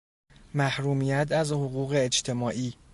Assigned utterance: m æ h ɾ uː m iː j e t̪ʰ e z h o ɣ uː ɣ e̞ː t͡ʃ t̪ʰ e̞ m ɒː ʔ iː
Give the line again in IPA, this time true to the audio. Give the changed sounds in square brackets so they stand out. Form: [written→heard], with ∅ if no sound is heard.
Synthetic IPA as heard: m æ h ɾ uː m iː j [e→æ] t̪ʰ [e→æ] z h o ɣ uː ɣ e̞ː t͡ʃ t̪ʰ e̞ m ɒː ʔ iː

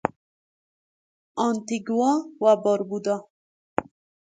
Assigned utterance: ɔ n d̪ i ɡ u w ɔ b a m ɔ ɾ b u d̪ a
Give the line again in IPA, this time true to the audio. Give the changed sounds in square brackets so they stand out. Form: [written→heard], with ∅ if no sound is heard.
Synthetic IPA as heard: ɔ n [d̪→t̪] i ɡ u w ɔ [b→w] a [m→b] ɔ ɾ b u d̪ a

